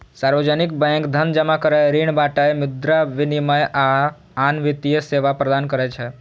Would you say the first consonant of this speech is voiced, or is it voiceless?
voiceless